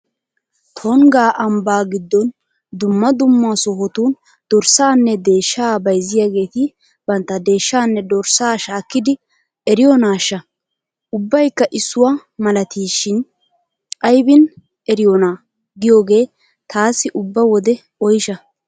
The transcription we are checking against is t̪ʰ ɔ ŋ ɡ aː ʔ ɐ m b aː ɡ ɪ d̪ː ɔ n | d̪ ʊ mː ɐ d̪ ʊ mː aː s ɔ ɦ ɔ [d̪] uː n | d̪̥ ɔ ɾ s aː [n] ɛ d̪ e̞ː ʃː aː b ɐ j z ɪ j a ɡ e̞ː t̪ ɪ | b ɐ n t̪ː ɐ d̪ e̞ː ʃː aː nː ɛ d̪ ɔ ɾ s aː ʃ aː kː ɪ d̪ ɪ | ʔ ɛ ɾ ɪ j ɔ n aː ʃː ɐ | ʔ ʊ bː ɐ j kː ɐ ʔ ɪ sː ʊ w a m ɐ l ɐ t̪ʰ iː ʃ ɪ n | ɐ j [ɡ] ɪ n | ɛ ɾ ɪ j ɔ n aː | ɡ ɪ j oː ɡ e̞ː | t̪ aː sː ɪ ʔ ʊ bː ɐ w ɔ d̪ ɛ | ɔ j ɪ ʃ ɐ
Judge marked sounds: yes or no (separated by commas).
no, no, no